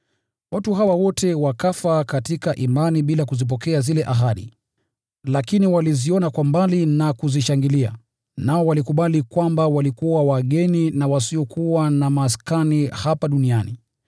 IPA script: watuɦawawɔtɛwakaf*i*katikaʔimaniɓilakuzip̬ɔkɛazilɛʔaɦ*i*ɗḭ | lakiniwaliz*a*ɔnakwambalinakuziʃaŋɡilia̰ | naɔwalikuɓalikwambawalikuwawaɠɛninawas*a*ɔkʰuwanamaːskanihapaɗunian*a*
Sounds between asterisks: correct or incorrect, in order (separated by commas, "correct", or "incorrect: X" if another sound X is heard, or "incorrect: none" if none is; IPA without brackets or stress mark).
incorrect: a, incorrect: a, incorrect: i, incorrect: i, incorrect: i